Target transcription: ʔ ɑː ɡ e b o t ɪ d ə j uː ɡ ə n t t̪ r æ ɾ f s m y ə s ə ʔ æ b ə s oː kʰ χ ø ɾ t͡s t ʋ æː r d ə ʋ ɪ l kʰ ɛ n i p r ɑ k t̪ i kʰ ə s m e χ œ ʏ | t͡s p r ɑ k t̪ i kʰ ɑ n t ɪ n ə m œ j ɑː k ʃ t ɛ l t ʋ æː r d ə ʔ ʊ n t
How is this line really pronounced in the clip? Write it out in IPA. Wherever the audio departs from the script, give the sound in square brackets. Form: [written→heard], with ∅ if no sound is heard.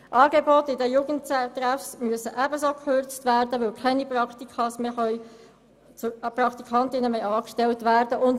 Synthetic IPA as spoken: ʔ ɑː ɡ e b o t ɪ d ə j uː ɡ ə n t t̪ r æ [ɾ→∅] f s m y ə s ə ʔ æ b ə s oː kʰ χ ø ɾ t͡s t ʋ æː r d ə ʋ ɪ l kʰ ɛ n i p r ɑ k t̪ i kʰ [ə→ɑ] s m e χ œ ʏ | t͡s p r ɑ k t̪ i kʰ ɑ n t ɪ n ə m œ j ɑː k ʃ t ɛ l t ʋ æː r d ə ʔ ʊ n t